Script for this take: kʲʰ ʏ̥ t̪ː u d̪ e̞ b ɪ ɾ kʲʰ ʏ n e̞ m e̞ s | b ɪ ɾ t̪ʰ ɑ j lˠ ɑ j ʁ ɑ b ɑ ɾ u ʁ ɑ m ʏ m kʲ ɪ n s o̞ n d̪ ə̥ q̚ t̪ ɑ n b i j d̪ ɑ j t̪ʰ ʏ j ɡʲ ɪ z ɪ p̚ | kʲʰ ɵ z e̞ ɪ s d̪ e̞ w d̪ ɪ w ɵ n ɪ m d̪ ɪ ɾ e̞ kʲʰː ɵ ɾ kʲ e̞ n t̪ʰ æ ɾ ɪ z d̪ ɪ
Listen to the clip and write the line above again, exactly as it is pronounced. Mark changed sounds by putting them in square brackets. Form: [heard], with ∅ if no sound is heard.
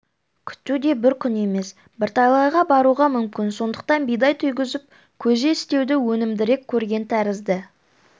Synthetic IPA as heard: kʲʰ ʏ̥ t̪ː u d̪ e̞ b ɪ ɾ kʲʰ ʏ n e̞ m e̞ s | b ɪ ɾ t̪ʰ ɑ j lˠ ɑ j ʁ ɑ b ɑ ɾ u ʁ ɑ m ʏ m kʲ ɪ n s o̞ n d̪ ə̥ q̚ t̪ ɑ n b i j d̪ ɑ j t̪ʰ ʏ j ɡʲ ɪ z ɪ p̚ | kʲʰ ɵ z e̞ ɪ s [t̪] e̞ w d̪ ɪ w ɵ n ɪ m d̪ ɪ ɾ e̞ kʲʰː ɵ ɾ [ɡʲ] e̞ n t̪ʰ æ ɾ ɪ z d̪ ɪ